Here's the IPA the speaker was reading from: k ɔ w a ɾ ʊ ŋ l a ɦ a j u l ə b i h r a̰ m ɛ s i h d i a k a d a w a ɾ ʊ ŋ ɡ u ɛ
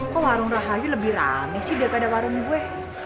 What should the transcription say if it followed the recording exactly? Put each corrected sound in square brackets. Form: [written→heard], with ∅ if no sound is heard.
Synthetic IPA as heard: k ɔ w a ɾ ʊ ŋ [l→r] a ɦ a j u l ə b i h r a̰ m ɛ s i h d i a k a d a w a ɾ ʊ ŋ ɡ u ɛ